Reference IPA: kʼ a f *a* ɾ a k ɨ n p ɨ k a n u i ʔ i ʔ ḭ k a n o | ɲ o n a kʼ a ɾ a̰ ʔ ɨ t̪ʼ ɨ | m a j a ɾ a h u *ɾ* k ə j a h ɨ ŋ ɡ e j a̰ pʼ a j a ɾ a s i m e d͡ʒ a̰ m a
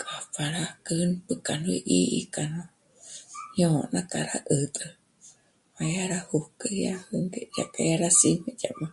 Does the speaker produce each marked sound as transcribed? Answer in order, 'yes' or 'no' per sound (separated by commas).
yes, no